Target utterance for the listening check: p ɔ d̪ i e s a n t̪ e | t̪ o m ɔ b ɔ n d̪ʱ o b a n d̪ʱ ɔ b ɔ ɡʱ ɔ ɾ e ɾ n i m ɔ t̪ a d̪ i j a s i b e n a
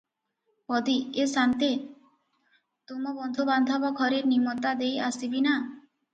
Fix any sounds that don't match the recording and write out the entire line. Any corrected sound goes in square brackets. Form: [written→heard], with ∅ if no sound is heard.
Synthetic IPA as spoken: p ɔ d̪ i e s a n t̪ e | t̪ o m ɔ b ɔ n d̪ʱ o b a n d̪ʱ ɔ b ɔ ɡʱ ɔ ɾ e ɾ n i m ɔ t̪ a d̪ [i→e] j a s i b [e→i] n a